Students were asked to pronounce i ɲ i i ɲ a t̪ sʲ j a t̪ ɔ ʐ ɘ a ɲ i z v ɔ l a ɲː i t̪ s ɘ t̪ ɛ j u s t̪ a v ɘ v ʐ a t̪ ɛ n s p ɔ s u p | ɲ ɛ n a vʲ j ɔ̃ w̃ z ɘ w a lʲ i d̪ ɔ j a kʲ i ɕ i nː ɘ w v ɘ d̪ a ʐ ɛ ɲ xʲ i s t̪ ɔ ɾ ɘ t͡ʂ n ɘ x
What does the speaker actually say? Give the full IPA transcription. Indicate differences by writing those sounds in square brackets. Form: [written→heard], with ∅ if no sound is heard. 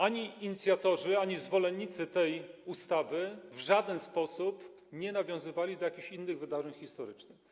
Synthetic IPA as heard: [i→a] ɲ i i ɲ [a→i] t̪ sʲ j a t̪ ɔ ʐ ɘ a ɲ i z v ɔ l [a→ɛ] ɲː i t̪ s ɘ t̪ ɛ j u s t̪ a v ɘ v ʐ a [t̪→d̪] ɛ n s p ɔ s u p | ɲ ɛ n a vʲ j ɔ̃ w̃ z ɘ [w→v] a lʲ i d̪ ɔ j a kʲ i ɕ i nː ɘ [w→ɣ] v ɘ d̪ a ʐ ɛ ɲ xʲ i s t̪ ɔ ɾ ɘ t͡ʂ n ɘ x